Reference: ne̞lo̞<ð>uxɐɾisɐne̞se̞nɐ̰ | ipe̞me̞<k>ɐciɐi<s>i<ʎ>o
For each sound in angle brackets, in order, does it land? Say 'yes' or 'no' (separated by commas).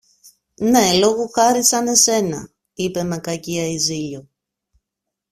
no, yes, no, yes